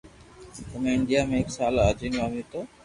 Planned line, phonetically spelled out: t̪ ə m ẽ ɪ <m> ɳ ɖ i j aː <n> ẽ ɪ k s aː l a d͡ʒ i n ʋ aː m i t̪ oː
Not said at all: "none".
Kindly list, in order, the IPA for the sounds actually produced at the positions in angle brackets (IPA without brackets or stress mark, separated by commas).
none, m